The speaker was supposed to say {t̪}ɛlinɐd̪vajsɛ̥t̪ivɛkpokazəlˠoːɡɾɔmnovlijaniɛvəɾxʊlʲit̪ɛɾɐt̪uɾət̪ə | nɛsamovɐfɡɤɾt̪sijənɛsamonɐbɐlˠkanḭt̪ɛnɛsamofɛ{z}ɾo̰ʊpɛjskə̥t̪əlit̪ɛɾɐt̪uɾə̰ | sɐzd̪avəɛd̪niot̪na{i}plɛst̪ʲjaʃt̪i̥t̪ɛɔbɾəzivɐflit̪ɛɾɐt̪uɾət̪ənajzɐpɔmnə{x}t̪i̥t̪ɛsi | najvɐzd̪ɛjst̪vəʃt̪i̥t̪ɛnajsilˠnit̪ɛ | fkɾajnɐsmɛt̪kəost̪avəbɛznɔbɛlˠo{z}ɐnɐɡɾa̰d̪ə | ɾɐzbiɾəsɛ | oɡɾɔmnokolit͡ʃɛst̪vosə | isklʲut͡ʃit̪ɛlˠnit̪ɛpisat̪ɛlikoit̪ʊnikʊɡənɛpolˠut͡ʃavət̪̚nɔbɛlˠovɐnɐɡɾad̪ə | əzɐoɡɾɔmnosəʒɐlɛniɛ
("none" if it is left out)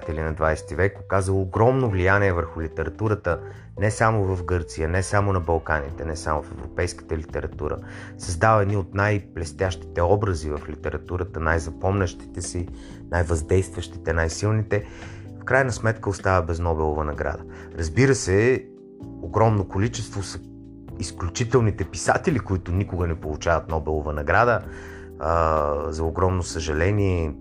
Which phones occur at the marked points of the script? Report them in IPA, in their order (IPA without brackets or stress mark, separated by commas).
t̪, v, j, ʃ, v